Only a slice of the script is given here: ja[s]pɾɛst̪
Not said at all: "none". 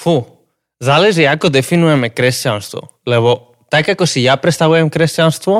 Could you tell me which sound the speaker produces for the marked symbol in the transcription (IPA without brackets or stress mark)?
none